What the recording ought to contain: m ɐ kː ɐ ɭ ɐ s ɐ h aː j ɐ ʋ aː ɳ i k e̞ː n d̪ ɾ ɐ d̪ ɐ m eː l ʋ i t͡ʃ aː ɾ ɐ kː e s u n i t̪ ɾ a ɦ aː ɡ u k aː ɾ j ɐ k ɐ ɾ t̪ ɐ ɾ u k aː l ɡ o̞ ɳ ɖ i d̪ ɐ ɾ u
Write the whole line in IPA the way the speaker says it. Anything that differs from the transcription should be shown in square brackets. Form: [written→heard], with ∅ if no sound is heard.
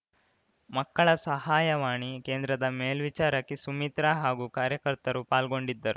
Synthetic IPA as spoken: m ɐ kː ɐ ɭ ɐ s ɐ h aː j ɐ ʋ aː ɳ i k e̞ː n d̪ ɾ ɐ d̪ ɐ m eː l ʋ i t͡ʃ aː ɾ ɐ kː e s u [n→m] i t̪ ɾ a ɦ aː ɡ u k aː ɾ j ɐ k ɐ ɾ t̪ ɐ ɾ u [k→p] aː l ɡ o̞ ɳ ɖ i [d̪→d̪ː] ɐ ɾ u

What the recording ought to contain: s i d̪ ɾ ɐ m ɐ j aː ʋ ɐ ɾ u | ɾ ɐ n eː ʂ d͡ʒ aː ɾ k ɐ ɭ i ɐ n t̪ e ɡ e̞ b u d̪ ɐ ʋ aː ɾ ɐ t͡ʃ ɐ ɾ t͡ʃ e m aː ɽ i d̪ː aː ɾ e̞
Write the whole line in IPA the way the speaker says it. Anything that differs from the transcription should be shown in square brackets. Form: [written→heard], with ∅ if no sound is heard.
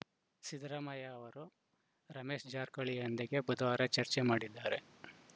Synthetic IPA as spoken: s i d̪ ɾ ɐ m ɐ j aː ʋ ɐ ɾ u | ɾ ɐ [n→m] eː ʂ d͡ʒ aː ɾ k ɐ ɭ i ɐ n [t̪→d̪] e ɡ e̞ b u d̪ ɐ ʋ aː ɾ ɐ t͡ʃ ɐ ɾ t͡ʃ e m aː ɽ i d̪ː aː ɾ e̞

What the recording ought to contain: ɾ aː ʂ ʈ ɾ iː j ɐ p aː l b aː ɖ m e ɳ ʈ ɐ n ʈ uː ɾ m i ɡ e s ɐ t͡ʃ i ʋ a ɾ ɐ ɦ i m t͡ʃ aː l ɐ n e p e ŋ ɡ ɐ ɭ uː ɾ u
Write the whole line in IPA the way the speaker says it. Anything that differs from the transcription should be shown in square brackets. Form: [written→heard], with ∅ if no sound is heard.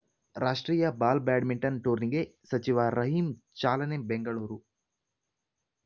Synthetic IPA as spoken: ɾ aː ʂ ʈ ɾ iː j ɐ [p→b] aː l b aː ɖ m [e→i] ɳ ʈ ɐ n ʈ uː ɾ [m→n] i ɡ e s ɐ t͡ʃ i ʋ a ɾ ɐ ɦ i m t͡ʃ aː l ɐ n e [p→b] e ŋ ɡ ɐ ɭ uː ɾ u

